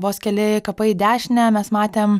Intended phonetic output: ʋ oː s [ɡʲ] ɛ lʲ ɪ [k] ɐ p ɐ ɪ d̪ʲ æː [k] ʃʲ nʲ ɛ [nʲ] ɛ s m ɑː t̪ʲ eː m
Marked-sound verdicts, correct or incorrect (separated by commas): incorrect, correct, incorrect, incorrect